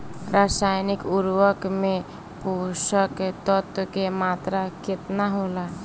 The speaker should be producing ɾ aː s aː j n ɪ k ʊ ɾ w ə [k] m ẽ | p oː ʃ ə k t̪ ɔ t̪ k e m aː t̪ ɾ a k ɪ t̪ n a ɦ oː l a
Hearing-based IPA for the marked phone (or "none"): k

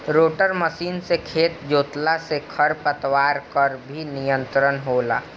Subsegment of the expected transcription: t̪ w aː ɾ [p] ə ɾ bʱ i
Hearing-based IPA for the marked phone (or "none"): k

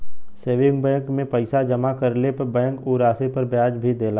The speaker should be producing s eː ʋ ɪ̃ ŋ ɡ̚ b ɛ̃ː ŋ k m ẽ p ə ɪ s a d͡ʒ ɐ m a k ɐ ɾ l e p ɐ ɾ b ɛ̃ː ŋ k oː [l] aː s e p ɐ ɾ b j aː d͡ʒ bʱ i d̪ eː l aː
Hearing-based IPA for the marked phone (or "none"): ɾ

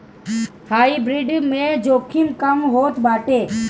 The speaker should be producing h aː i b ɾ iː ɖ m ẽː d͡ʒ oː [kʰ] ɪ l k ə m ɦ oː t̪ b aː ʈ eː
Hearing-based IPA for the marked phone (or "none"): kʰ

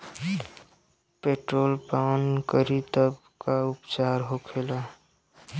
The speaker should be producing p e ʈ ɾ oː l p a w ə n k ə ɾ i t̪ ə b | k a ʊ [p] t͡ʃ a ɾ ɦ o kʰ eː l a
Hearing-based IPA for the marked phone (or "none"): p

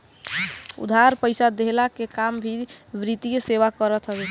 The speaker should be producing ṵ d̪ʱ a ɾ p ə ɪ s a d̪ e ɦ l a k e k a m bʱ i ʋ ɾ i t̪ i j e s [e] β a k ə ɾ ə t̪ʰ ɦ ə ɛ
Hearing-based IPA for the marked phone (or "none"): e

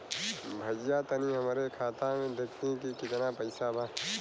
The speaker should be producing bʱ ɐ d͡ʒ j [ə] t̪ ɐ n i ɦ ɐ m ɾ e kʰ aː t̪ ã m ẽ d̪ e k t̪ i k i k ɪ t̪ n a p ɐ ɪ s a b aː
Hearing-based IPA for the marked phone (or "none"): a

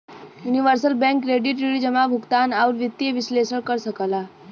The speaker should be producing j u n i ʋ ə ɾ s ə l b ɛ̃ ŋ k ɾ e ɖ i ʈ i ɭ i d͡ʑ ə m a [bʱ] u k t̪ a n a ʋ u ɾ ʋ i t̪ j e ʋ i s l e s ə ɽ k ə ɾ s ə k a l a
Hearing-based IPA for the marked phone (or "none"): bʱ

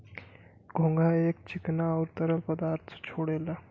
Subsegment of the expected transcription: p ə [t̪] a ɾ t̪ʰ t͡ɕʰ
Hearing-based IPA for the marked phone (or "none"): d̪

